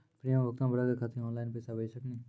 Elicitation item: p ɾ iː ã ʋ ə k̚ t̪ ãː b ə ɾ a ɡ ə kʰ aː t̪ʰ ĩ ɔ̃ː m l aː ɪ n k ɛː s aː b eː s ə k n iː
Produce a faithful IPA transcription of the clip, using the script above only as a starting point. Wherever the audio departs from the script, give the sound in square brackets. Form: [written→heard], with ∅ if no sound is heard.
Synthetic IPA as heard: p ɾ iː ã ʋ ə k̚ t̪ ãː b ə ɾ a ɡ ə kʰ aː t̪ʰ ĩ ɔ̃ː [m→n] l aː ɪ n [k→p] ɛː s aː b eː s ə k n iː

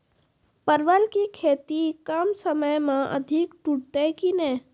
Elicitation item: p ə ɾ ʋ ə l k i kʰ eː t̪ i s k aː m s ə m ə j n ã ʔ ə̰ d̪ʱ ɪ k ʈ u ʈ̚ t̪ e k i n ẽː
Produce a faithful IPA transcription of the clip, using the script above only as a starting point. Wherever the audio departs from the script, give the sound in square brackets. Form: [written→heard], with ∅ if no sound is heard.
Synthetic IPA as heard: p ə ɾ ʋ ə l k i kʰ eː t̪ i [s→∅] k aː m s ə m ə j [n→m] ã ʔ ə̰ d̪ʱ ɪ k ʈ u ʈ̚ t̪ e k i n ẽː

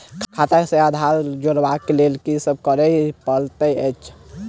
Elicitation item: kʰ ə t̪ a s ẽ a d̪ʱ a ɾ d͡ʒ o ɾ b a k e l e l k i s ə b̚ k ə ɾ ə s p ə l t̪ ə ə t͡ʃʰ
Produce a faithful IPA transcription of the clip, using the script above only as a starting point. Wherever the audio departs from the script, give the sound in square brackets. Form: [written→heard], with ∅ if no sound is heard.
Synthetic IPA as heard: kʰ [ə→a] t̪ a s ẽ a d̪ʱ a ɾ d͡ʒ o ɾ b a k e l e l k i s ə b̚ k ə ɾ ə [s→∅] p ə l t̪ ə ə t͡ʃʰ

